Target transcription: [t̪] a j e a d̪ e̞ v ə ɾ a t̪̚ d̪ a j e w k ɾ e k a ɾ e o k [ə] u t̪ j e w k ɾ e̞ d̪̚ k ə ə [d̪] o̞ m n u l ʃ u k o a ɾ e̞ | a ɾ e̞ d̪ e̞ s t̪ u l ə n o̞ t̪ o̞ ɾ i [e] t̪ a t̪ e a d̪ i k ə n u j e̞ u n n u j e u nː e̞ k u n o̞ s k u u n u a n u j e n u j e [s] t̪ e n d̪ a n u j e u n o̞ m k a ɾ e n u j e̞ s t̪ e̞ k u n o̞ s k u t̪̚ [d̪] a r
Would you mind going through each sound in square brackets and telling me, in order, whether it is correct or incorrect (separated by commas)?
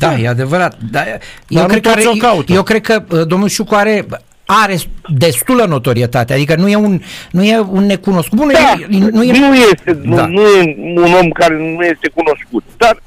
incorrect, incorrect, correct, correct, correct, correct